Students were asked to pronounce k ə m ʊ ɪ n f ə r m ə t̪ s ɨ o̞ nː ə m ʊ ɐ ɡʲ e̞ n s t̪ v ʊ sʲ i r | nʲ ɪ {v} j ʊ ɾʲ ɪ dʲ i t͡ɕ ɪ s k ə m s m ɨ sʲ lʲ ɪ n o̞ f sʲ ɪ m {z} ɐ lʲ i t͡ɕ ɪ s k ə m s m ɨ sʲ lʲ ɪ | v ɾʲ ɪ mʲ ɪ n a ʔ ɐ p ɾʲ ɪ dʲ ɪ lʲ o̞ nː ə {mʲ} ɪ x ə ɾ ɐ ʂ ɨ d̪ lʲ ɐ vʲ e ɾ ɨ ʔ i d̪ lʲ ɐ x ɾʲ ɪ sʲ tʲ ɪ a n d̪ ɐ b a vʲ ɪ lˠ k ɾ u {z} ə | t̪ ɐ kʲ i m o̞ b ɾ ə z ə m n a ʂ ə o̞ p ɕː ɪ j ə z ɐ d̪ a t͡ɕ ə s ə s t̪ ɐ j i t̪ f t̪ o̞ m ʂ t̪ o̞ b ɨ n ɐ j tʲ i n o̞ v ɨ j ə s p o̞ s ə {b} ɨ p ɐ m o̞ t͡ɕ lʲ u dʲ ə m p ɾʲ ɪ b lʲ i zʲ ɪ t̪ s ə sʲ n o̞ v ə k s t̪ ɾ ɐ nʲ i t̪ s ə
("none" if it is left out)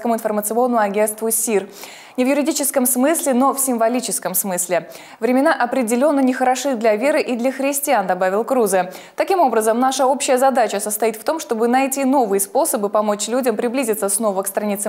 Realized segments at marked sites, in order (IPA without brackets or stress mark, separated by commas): v, v, nʲ, z, b